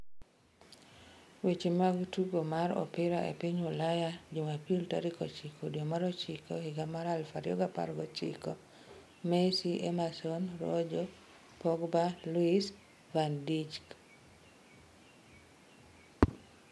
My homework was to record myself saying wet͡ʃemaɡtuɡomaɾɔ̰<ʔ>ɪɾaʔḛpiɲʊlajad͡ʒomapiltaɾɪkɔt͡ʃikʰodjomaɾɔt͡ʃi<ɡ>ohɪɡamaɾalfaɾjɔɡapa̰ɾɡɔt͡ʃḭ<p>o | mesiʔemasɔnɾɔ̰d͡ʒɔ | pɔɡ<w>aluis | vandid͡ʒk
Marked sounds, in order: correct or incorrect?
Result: incorrect: p, incorrect: k, incorrect: k, incorrect: b

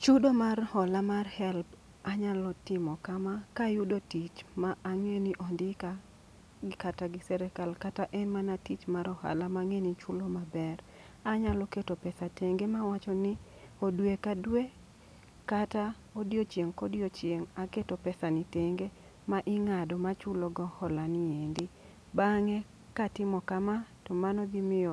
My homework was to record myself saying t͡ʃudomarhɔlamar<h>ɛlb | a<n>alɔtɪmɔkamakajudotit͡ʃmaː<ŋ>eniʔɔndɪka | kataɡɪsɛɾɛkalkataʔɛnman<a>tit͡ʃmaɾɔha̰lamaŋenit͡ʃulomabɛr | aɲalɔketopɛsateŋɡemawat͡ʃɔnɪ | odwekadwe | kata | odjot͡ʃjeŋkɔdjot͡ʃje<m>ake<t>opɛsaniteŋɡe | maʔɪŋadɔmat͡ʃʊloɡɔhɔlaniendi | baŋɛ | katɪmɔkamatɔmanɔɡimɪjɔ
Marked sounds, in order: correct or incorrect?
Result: correct, incorrect: ɲ, correct, correct, incorrect: ŋ, correct

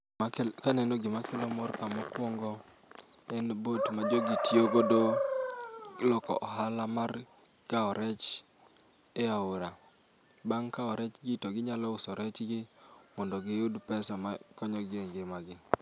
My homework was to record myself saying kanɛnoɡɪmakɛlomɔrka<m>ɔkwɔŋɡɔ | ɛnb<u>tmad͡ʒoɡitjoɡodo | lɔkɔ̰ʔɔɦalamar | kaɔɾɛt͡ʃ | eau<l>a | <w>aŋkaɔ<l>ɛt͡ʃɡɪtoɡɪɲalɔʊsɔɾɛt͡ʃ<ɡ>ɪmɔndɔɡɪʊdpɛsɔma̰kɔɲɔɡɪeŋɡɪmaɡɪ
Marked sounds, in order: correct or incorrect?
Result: correct, incorrect: o, incorrect: ɾ, incorrect: b, incorrect: ɾ, correct

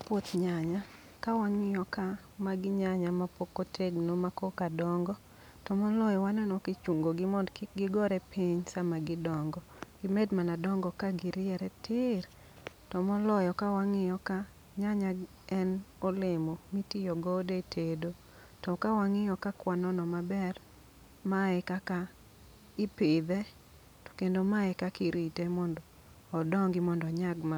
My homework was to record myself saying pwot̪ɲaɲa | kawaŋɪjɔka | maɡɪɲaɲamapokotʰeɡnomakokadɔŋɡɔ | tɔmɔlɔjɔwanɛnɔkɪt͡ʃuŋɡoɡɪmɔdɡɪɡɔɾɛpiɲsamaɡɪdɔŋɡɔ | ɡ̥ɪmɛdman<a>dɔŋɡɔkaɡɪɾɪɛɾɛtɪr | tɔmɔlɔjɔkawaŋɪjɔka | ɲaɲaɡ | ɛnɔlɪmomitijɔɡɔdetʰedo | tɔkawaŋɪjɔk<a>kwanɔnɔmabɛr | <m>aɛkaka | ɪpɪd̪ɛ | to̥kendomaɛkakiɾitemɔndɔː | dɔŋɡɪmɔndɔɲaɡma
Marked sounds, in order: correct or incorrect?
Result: correct, correct, correct

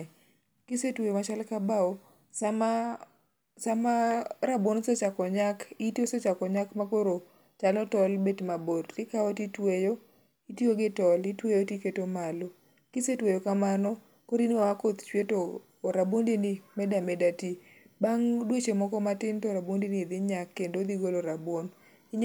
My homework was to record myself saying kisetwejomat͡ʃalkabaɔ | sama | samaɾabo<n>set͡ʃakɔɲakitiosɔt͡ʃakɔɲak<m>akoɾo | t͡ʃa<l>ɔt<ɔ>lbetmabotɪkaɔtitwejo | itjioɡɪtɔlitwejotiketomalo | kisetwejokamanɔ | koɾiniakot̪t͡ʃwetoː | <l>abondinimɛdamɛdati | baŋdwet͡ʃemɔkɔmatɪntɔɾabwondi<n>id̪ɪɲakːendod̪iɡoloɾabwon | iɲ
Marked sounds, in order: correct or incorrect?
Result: correct, correct, correct, correct, incorrect: ɾ, correct

